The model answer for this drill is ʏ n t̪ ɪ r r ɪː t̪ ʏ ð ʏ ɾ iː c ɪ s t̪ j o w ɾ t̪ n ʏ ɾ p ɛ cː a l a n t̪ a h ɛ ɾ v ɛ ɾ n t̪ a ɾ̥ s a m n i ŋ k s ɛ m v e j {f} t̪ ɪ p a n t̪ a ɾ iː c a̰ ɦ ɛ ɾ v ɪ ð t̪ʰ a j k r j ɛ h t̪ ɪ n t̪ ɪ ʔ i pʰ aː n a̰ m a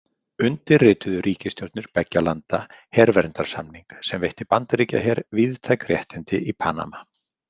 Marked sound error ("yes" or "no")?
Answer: yes